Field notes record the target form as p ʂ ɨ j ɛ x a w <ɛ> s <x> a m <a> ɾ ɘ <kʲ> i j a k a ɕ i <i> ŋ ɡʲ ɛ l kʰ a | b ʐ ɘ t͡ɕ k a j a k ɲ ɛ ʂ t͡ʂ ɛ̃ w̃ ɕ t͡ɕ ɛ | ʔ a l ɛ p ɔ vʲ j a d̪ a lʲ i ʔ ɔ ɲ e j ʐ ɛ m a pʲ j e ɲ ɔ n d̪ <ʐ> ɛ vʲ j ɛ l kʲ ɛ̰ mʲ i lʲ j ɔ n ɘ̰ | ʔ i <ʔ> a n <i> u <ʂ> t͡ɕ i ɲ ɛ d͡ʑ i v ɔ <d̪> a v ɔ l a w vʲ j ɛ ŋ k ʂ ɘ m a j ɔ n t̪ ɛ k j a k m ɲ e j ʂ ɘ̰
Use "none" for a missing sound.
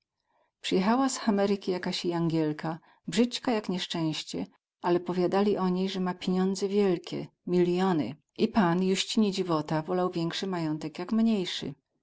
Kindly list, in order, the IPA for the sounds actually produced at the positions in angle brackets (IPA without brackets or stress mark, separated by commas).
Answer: a, x, ɛ, kʲ, a, z, p, j, ɕ, t̪